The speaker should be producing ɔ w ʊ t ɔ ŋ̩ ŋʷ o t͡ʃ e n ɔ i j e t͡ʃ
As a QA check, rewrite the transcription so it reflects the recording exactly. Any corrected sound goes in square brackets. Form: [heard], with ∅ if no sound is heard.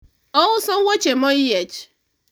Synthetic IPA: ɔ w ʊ [s] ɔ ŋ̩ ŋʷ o t͡ʃ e [m] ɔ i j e t͡ʃ